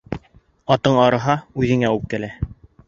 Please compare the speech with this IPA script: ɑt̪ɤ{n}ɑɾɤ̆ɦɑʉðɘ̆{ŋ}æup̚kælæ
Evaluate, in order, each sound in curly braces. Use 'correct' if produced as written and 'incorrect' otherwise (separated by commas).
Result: incorrect, correct